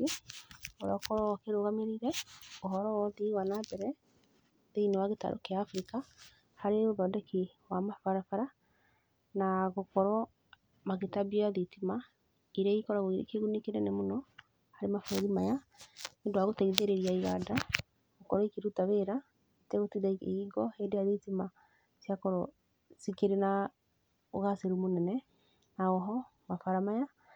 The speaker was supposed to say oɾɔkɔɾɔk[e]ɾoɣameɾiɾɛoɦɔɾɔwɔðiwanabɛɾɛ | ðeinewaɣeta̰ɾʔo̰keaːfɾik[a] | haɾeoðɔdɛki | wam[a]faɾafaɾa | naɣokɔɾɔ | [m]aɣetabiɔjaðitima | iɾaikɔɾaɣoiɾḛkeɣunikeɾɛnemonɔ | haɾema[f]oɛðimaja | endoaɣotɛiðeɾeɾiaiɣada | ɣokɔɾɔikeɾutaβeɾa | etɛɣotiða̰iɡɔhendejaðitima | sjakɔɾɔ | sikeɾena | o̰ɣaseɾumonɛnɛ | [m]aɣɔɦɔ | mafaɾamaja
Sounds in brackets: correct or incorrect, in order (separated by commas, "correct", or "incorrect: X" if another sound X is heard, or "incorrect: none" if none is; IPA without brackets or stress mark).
correct, correct, correct, correct, correct, incorrect: n